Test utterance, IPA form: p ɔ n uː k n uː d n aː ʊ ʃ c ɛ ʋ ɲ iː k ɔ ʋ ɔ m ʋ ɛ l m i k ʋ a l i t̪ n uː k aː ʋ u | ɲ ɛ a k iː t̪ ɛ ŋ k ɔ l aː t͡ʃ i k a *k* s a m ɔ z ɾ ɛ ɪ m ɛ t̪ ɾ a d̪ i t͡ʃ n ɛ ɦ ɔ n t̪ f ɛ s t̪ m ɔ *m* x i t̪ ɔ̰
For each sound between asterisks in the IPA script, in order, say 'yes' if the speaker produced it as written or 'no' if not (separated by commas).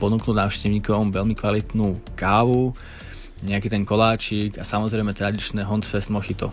no, no